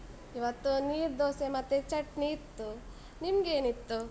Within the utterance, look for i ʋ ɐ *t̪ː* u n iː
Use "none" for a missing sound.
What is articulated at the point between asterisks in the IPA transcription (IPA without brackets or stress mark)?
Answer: t̪ː